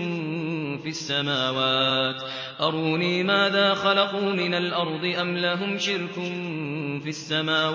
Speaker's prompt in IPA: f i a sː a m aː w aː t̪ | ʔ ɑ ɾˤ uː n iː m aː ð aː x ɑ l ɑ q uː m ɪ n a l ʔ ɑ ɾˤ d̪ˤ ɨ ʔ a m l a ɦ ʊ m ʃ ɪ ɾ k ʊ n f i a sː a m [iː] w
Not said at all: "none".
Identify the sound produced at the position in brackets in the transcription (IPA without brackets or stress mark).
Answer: aː